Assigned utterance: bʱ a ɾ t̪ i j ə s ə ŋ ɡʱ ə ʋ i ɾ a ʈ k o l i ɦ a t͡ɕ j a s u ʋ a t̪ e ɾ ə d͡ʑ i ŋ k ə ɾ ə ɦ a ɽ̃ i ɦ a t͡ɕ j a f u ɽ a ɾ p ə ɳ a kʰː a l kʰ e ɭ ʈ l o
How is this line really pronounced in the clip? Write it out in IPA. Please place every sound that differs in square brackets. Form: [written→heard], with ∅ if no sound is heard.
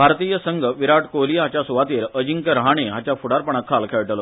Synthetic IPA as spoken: bʱ a ɾ t̪ i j ə s ə ŋ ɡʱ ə ʋ i ɾ a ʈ k o l i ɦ a t͡ɕ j a s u ʋ a t̪ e ɾ ə d͡ʑ i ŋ k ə ɾ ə ɦ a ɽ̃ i ɦ a t͡ɕ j a f u ɽ a ɾ p ə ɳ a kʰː a l kʰ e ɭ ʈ l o